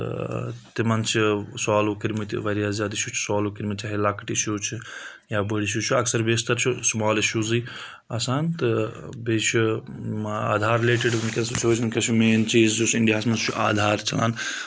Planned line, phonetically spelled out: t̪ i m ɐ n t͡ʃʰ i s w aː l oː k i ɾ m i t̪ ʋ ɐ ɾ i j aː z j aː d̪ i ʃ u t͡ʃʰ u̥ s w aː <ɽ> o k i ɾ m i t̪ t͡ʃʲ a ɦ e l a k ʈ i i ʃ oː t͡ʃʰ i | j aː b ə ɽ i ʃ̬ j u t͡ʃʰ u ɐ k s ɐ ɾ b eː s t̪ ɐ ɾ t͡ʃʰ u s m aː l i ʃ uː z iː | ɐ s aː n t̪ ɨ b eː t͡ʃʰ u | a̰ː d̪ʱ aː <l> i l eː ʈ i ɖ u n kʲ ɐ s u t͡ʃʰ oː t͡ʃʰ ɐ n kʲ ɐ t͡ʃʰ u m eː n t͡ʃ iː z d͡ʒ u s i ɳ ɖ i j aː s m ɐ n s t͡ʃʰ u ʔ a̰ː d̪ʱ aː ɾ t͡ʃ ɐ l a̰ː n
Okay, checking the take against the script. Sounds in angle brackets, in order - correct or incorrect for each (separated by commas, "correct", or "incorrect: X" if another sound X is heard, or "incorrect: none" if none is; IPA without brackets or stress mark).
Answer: incorrect: l, incorrect: ɾ